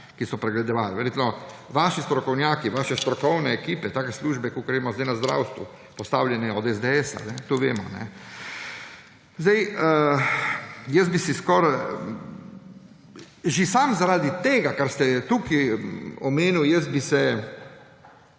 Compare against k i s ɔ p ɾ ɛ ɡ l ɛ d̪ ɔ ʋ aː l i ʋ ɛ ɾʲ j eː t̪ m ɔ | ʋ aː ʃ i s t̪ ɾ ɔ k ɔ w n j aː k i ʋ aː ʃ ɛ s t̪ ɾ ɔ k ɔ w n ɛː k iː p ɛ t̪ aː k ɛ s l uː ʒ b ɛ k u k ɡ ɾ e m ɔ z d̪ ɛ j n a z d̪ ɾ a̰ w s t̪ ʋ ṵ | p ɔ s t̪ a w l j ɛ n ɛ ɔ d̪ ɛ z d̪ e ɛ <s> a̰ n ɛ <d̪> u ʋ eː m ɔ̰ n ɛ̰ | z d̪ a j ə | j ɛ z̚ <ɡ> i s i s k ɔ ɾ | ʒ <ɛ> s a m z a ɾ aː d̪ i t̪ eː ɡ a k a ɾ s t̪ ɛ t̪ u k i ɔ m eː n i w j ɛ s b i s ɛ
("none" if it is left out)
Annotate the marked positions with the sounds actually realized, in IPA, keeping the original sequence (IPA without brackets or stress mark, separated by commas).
s, t̪, b, i